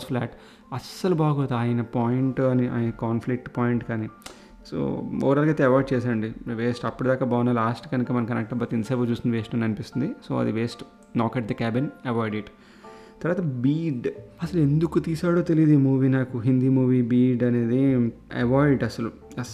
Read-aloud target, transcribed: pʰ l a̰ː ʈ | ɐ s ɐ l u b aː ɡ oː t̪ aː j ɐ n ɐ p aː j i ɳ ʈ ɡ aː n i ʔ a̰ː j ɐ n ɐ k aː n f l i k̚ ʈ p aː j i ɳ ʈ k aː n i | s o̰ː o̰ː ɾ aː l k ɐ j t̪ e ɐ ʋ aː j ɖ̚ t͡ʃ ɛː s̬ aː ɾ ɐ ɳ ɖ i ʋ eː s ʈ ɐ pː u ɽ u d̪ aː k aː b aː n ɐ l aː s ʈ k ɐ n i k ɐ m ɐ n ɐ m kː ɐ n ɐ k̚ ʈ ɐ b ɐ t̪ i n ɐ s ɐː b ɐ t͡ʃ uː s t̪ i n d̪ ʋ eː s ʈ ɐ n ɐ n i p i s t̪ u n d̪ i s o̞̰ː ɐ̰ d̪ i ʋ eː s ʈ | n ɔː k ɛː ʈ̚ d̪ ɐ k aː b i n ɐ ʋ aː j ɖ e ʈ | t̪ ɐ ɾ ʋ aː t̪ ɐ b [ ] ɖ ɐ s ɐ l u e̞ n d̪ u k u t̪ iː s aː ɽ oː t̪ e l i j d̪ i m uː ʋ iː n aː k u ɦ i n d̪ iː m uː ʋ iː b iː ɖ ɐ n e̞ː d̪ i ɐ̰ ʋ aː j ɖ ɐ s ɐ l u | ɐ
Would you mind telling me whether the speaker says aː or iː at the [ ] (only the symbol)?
iː